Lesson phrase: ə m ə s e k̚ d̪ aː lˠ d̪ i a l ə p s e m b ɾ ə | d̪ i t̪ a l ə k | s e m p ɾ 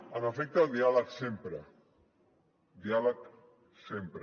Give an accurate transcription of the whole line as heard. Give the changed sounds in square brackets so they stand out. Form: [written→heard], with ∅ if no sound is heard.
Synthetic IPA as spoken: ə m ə [s→f] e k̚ [d̪→t̪] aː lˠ d̪ i a l ə [p→k] s e m [b→p] ɾ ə | d̪ i [t̪→∅] a l ə k | s e m p ɾ